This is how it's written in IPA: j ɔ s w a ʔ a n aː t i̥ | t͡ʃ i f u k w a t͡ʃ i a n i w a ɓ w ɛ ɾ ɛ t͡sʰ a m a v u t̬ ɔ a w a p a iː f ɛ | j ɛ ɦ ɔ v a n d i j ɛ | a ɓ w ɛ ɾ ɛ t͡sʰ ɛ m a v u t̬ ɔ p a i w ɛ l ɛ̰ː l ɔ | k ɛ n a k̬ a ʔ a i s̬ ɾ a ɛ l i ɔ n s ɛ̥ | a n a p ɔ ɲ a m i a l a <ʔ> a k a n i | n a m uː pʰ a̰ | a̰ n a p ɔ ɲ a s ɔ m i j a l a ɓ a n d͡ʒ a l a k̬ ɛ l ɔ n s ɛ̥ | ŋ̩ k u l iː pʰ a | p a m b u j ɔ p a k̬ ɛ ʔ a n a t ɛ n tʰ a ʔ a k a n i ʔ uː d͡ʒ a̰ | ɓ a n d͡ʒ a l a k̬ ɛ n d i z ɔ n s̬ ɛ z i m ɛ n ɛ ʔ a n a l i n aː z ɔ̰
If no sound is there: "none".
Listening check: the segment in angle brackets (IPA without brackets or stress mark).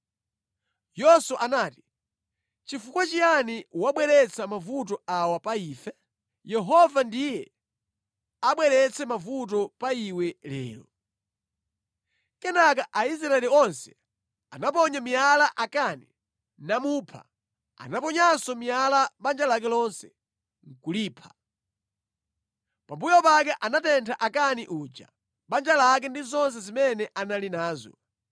ʔ